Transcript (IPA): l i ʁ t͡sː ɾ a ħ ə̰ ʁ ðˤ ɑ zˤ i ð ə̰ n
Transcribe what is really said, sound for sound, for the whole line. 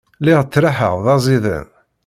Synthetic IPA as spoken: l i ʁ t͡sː ɾ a ħ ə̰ ʁ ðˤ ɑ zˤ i ð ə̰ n